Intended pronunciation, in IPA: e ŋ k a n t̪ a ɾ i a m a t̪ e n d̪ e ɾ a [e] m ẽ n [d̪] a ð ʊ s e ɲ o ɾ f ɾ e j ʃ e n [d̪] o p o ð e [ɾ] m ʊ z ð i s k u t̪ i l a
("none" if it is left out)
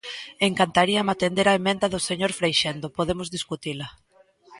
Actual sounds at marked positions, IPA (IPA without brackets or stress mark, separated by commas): e, d̪, d̪, none